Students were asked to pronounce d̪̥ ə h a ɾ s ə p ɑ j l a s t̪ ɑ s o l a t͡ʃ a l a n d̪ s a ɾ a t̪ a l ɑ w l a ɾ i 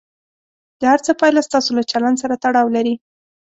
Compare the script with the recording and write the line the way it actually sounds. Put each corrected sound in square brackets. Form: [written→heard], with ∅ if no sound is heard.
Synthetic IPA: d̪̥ ə h a ɾ [s→t͡s] ə p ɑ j l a s t̪ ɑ s o l a t͡ʃ a l a n d̪ s a ɾ a t̪ a [l→ɽ] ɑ w l a ɾ i

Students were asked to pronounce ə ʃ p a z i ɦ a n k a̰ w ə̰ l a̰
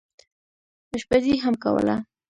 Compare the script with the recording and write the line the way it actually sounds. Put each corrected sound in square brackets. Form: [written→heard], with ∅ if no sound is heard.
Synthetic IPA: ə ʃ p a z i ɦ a [n→m] k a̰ w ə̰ l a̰

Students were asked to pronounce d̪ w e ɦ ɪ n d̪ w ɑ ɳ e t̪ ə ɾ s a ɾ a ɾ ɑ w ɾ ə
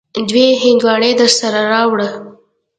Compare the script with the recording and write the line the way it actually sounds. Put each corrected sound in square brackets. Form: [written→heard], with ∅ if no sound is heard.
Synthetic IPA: d̪ w e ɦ ɪ n d̪ w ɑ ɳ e [t̪→d̪] ə ɾ s a ɾ a ɾ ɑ w [ɾ→ɽ] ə

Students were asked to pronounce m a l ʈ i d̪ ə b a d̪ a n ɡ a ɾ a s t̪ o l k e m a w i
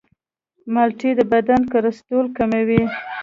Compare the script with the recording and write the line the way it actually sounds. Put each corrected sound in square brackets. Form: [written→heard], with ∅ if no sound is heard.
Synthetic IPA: m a l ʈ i d̪ ə b a d̪ a n [ɡ→k] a ɾ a s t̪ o l k [e→a] m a w i

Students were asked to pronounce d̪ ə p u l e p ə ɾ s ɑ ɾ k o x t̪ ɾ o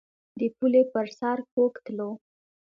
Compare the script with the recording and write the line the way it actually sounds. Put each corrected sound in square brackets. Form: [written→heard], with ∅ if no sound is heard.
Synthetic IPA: d̪ ə p u l e p ə ɾ s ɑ ɾ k o [x→k] t̪ [ɾ→l] o

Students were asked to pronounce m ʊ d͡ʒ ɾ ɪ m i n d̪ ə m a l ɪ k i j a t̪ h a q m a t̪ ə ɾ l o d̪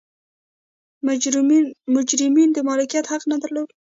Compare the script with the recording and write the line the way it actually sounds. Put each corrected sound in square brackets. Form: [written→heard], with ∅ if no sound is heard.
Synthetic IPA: m ʊ d͡ʒ ɾ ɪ m i n d̪ ə m [a→ɑ] l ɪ k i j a t̪ h a q [m→n] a [t̪→d̪] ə ɾ l o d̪

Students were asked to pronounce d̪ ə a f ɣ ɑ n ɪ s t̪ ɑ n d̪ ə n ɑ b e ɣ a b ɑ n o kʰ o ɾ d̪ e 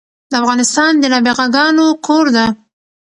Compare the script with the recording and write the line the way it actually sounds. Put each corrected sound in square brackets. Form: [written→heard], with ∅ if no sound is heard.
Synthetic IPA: d̪ ə a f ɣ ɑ n ɪ s t̪ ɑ n d̪ ə n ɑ b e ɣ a [b→ɡ] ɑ n o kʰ o ɾ d̪ [e→a]

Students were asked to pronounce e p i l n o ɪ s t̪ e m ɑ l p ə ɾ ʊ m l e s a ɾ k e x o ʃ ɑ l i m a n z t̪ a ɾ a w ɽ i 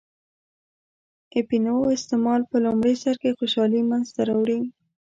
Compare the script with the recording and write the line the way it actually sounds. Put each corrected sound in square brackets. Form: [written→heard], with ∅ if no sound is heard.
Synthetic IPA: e p i [l→∅] n o ɪ s t̪ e m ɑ l p ə [ɾ→l] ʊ m [l→ɽ] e s a ɾ k e x o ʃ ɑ l i m a n z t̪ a ɾ a w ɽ i

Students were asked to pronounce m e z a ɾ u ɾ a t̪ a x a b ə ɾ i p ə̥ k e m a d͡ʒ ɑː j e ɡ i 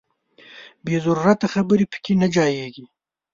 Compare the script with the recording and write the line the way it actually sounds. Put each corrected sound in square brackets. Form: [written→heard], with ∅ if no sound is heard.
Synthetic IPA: [m→b] e z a ɾ u ɾ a t̪ a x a b ə ɾ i p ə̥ k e [m→n] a d͡ʒ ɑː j e ɡ i

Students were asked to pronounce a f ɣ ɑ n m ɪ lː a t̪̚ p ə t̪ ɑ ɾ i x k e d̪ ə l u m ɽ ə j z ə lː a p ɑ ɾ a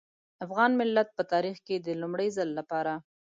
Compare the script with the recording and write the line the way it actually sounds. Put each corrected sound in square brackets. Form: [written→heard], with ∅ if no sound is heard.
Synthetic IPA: a f ɣ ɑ n m ɪ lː a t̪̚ p ə t̪ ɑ ɾ i x k e d̪ ə l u m ɽ ə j z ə lː a p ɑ ɾ a

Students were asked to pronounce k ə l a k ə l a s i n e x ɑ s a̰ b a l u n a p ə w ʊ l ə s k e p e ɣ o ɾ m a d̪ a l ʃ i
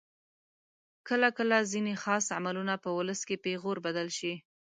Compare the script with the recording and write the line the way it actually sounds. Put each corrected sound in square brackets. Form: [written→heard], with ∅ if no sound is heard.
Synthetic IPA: k ə l a k ə l a [s→z] i n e x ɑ s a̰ [b→m] a l u n a p ə w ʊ l ə s k e p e ɣ o ɾ [m→b] a d̪ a l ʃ i

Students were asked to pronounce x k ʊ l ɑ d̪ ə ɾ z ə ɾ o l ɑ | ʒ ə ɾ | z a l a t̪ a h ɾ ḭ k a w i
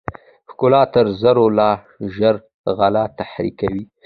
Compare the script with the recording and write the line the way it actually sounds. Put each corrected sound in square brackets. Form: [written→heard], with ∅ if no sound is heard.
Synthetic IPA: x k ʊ l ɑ [d̪→t̪] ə ɾ z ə ɾ o l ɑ | ʒ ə ɾ | [z→ɣ] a l a t̪ a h ɾ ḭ k a w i

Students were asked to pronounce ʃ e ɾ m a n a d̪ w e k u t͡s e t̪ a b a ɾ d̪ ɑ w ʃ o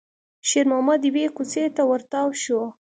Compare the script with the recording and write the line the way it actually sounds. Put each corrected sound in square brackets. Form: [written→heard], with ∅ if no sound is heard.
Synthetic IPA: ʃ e ɾ m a [n→m] a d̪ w e k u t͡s e t̪ a [b→w] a ɾ [d̪→t̪] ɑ w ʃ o

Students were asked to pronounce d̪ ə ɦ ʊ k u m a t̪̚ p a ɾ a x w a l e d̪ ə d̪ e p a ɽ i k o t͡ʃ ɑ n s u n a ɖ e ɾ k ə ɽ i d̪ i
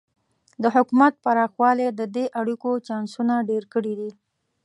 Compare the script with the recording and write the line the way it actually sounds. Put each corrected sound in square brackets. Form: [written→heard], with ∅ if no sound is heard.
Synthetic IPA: d̪ ə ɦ ʊ k u m a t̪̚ p a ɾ [a→ɑ] x w [a→ɑ] l e d̪ ə d̪ e [p→ʔ] a ɽ i k o t͡ʃ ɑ n s u n a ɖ e ɾ k ə ɽ i d̪ i

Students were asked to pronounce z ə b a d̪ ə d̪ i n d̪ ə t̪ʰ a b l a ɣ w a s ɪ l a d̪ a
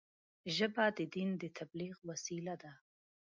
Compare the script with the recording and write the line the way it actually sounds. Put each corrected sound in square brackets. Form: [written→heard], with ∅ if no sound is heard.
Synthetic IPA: [z→ʒ] ə b a d̪ ə d̪ i n d̪ ə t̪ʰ a b l [a→i] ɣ w a s [ɪ→i] l a d̪ a

